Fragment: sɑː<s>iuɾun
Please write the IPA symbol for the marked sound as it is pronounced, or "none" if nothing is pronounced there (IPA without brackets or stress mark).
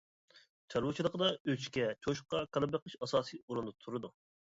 s